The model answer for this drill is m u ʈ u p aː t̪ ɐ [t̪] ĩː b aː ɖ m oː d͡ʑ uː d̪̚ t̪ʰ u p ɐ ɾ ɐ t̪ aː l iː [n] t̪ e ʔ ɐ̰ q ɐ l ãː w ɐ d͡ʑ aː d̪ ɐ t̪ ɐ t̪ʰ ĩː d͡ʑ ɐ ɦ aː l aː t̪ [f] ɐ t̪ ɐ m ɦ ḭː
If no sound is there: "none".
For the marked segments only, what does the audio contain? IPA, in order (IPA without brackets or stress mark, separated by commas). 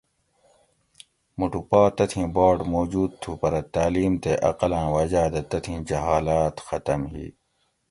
t̪ʰ, m, x